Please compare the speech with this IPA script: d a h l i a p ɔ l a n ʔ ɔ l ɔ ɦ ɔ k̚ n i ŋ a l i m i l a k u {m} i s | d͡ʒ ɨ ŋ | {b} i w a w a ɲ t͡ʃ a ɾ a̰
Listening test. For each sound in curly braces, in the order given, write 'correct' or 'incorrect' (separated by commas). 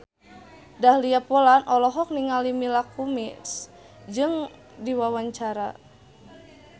correct, incorrect